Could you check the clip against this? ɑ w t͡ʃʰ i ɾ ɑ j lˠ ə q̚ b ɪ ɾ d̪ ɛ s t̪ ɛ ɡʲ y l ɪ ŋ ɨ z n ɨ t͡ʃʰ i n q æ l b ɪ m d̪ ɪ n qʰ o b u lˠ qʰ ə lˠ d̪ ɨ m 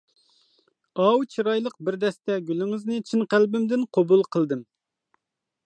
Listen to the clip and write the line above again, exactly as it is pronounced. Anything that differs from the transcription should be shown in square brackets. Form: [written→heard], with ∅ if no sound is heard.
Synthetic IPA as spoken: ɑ w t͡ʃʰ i ɾ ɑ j lˠ ə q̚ b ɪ ɾ d̪ ɛ s t̪ ɛ ɡʲ y l ɪ ŋ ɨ z n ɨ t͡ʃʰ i n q æ l b ɪ m d̪ ɪ n qʰ o b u lˠ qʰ ə lˠ d̪ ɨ m